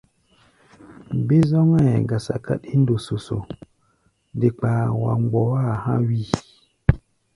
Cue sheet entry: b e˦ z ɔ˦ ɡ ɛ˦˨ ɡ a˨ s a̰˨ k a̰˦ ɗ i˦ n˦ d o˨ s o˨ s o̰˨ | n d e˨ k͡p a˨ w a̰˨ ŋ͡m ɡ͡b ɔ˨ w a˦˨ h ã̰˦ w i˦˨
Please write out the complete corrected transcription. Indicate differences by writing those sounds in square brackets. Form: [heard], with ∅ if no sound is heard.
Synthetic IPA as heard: b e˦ z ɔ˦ [ŋ] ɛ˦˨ ɡ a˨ s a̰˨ k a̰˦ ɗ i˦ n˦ d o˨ s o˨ s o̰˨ | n d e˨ k͡p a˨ w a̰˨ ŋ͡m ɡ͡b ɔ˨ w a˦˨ h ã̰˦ w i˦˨